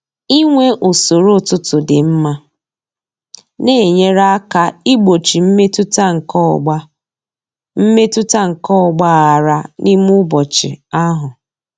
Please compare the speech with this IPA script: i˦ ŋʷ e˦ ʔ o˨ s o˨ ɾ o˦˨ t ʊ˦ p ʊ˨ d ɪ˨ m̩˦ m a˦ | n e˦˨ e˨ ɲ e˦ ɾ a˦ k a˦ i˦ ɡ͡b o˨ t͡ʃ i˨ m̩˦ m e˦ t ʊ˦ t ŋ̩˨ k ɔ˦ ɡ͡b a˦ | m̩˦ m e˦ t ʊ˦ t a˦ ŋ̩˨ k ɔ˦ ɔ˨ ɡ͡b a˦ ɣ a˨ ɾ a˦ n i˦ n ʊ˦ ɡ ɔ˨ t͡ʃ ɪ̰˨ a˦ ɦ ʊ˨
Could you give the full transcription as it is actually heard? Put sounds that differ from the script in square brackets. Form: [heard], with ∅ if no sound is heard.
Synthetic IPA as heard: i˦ ŋʷ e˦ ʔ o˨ s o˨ ɾ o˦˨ t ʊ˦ [t] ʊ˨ d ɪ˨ m̩˦ m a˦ | n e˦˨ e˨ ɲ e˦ ɾ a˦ k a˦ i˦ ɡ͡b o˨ t͡ʃ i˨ m̩˦ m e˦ t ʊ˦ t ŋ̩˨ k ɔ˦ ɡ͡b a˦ | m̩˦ m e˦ t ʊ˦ t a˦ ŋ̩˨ k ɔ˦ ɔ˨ ɡ͡b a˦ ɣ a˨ ɾ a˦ n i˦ [m] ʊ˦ [b] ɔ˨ t͡ʃ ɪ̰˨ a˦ ɦ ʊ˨